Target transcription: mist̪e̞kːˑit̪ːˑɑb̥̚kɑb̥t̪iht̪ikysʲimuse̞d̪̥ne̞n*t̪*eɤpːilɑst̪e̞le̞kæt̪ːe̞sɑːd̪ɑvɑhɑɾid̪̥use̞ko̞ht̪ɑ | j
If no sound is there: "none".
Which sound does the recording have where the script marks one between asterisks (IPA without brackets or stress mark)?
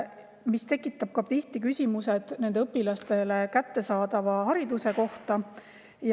d̪